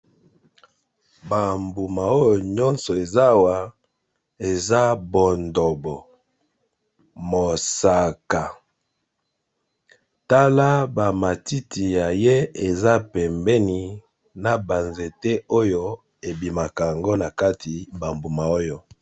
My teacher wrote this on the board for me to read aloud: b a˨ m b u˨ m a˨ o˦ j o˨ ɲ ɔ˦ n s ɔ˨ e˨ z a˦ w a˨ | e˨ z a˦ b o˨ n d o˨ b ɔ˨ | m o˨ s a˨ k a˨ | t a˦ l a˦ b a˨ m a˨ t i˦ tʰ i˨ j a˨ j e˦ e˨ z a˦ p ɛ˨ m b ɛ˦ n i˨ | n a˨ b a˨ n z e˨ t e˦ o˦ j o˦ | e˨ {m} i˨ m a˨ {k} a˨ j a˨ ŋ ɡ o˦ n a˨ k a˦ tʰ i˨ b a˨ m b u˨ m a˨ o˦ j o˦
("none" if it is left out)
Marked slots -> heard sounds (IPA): b, k

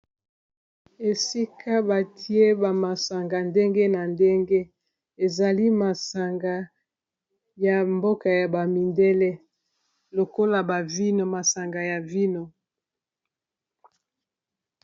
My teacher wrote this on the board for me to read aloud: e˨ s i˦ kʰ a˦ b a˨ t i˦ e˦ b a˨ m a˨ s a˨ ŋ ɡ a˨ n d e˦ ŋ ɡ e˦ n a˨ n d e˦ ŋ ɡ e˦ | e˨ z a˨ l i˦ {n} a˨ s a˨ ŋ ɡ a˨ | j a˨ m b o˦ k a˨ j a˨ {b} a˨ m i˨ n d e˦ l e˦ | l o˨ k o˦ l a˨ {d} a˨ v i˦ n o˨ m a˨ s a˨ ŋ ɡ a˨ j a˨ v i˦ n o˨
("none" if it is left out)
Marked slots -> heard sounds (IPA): m, b, b

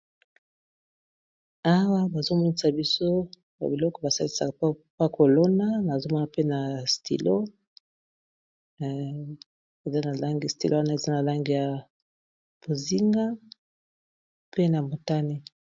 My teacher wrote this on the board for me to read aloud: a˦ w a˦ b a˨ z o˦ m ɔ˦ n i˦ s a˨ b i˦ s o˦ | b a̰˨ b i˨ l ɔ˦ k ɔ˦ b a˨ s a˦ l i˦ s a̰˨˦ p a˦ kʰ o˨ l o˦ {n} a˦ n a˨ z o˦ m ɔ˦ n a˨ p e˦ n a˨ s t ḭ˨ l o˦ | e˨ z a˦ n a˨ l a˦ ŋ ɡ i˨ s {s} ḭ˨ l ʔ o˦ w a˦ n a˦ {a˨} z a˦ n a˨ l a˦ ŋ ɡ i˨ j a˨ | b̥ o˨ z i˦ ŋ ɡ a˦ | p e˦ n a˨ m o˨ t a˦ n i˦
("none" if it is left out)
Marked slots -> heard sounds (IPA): n, t, e˨

